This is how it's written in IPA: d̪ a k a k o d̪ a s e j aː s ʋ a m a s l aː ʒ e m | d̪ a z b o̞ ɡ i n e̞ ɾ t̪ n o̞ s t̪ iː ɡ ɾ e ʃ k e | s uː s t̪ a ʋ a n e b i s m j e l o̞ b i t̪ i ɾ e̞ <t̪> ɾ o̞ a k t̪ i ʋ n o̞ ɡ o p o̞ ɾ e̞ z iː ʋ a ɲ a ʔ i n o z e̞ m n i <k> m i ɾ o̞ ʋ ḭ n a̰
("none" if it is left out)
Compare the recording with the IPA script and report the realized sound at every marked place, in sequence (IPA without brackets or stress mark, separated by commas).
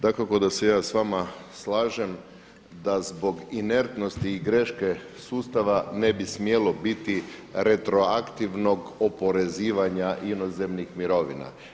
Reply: t̪, x